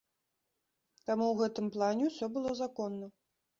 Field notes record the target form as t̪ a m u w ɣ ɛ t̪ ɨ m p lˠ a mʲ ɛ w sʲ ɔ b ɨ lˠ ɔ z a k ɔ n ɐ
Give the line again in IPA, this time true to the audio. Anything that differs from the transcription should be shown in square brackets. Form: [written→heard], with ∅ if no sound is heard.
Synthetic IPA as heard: t̪ a m u w ɣ ɛ t̪ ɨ m p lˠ a [mʲ→nʲ] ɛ w sʲ ɔ b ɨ lˠ ɔ z a k ɔ [n→nː] ɐ